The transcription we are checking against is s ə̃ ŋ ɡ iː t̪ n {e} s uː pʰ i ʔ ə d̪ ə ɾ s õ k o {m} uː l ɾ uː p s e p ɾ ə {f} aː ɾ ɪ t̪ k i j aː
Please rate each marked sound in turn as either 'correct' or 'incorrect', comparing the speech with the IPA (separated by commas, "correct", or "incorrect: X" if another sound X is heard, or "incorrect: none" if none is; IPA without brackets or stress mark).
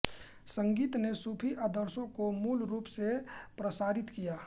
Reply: correct, correct, incorrect: s